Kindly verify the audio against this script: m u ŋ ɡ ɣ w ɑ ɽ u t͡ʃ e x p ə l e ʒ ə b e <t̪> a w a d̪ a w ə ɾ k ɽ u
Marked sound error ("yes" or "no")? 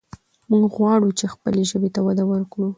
no